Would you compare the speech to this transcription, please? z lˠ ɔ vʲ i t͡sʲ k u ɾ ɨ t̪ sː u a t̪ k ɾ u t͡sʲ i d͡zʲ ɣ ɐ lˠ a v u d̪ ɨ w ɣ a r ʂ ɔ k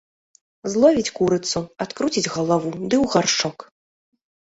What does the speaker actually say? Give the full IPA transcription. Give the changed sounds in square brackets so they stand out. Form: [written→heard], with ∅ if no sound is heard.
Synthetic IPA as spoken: z lˠ ɔ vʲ i t͡sʲ k u ɾ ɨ t̪ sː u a t̪ k ɾ u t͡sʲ i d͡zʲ ɣ ɐ lˠ a v u d̪ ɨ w ɣ a r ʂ ɔ k

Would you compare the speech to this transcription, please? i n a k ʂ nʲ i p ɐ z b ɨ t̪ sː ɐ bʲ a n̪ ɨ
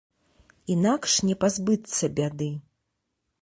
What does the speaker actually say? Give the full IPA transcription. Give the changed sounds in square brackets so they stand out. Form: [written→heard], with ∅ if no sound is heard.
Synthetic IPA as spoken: i n a k ʂ nʲ [i→ɛ] p [ɐ→a] z b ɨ t̪ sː ɐ bʲ a [n̪→d̪] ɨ

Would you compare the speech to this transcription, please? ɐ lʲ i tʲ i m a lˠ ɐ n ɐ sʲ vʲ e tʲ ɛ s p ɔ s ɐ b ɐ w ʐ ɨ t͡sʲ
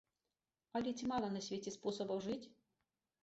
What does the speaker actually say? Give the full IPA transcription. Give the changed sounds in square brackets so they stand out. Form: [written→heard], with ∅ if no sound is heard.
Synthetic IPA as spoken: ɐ lʲ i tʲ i m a lˠ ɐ n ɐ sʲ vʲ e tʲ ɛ s p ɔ s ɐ b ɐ w ʐ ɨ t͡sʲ

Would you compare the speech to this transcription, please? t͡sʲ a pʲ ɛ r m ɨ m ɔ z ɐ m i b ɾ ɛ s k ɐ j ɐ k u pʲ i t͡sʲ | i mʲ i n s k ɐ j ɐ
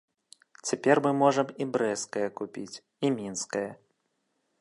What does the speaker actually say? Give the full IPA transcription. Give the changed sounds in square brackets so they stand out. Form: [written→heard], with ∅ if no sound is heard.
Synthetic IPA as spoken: t͡sʲ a pʲ ɛ r m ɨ m ɔ [z→ʐ] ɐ m i b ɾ ɛ s k ɐ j ɐ k u pʲ i t͡sʲ | i mʲ i n s k ɐ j ɐ

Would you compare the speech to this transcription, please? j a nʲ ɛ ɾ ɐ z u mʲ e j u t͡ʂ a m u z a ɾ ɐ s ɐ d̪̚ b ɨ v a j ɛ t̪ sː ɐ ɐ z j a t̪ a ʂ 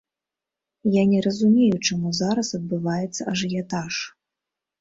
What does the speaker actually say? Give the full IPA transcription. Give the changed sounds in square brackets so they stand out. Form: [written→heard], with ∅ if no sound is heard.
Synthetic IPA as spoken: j a nʲ ɛ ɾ ɐ z u mʲ e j u t͡ʂ a m u z a ɾ ɐ s ɐ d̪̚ b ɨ v a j ɛ t̪ sː ɐ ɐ [z→ʐ] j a t̪ a ʂ

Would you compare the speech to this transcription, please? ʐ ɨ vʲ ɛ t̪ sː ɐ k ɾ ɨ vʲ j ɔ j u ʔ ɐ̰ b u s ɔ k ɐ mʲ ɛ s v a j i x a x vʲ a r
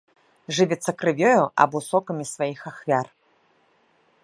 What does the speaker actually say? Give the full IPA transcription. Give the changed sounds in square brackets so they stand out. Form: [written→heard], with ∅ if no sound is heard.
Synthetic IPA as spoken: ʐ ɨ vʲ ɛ t̪ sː ɐ k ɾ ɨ vʲ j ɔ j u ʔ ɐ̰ b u s ɔ k ɐ mʲ [ɛ→i] s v a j i x a x vʲ a r

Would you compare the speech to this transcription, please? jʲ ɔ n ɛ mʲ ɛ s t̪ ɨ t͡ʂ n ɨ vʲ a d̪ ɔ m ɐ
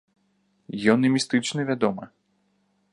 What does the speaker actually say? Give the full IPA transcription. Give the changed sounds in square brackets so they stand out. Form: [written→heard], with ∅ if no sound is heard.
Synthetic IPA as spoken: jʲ ɔ n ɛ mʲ [ɛ→i] s t̪ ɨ t͡ʂ n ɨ vʲ a d̪ ɔ m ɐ

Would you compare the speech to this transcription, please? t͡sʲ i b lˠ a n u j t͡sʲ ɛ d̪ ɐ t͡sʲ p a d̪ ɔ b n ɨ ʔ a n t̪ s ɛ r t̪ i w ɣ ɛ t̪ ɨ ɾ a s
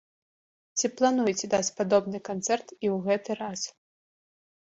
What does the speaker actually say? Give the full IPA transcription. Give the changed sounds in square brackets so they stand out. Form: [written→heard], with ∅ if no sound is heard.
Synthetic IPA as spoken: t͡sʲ i [b→p] lˠ a n u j t͡sʲ ɛ d̪ [ɐ→a] t͡sʲ p a d̪ ɔ b n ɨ [ʔ→k] a n t̪ s ɛ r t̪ i w ɣ ɛ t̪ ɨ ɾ a s

